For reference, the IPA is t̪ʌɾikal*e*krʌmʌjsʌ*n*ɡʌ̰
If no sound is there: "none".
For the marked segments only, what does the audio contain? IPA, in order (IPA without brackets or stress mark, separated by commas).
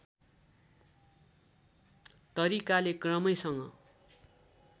e, ŋ